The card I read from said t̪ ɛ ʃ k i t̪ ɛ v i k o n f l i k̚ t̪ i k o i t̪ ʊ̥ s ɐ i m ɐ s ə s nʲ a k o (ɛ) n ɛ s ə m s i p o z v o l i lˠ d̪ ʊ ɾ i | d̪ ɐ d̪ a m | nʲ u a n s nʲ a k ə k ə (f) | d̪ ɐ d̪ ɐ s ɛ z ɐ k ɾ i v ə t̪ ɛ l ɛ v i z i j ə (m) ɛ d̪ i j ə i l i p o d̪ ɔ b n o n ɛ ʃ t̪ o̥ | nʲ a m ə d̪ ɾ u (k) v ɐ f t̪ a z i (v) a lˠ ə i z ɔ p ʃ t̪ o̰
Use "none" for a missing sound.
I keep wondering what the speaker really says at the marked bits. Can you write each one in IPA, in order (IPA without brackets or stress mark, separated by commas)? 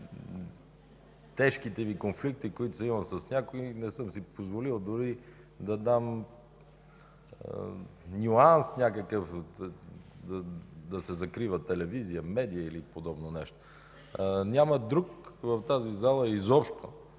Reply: i, f, m, k, z